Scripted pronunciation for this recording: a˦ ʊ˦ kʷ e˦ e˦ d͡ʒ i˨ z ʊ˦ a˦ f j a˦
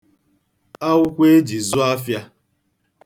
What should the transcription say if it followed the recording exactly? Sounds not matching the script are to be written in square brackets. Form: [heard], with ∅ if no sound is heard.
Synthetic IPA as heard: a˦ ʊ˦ kʷ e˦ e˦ d͡ʒ i˨ z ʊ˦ a˦ f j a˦